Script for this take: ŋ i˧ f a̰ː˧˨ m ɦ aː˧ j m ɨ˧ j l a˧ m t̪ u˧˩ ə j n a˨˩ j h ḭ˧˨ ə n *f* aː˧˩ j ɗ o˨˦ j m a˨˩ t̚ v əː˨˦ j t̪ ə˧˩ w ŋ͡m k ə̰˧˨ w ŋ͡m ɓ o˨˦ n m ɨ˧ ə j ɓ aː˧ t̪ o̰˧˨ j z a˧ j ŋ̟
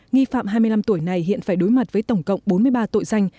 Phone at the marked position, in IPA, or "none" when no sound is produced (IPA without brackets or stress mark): f